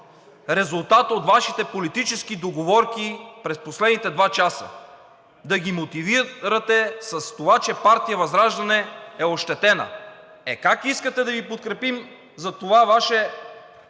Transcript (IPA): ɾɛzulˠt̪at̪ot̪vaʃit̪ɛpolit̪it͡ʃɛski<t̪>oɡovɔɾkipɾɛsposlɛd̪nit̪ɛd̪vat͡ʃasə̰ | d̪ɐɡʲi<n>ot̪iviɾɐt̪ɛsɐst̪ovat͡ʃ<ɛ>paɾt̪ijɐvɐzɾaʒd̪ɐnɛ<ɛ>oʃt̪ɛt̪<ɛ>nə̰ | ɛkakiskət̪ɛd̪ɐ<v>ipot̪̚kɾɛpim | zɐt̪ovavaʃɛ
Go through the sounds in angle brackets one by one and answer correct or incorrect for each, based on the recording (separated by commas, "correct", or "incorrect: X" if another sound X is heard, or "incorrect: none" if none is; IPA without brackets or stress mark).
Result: incorrect: d̪, incorrect: m, correct, correct, correct, correct